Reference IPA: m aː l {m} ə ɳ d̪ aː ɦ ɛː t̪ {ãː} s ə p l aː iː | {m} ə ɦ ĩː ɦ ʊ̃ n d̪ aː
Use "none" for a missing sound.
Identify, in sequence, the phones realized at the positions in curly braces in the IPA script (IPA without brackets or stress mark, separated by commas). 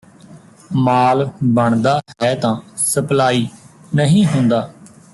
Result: b, ãː, n